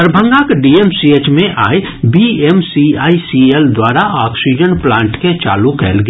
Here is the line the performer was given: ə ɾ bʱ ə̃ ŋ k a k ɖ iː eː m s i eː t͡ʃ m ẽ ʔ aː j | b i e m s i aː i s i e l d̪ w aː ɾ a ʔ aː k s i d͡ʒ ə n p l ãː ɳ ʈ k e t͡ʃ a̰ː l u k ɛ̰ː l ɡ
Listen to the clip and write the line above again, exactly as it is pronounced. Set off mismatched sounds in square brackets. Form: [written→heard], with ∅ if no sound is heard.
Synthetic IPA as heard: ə ɾ bʱ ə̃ ŋ [k→ɡ] a k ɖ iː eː m s i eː t͡ʃ m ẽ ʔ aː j | b i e m s i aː i s i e l d̪ w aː ɾ a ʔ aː k s i d͡ʒ ə n p l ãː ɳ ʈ k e t͡ʃ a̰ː l u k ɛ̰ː l ɡ